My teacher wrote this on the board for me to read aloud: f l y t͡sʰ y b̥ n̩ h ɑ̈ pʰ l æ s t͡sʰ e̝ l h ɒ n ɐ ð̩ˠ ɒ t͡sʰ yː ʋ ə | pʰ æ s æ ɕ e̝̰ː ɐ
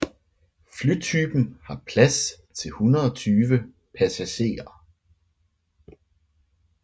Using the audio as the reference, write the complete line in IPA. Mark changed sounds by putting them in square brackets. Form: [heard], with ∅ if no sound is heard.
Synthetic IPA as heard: f l y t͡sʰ y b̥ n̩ h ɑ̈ pʰ l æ s t͡sʰ e̝ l h [u] n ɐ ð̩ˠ ɒ t͡sʰ yː ʋ ə | pʰ æ s æ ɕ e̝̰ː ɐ